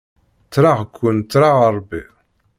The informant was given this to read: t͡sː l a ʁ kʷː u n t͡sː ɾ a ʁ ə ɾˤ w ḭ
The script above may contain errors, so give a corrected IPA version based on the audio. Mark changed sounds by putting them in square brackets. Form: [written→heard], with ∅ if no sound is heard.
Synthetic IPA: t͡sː [l→ɾ] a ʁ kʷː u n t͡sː ɾ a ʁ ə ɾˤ [w→b] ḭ